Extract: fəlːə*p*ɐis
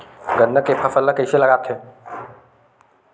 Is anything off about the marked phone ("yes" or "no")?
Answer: yes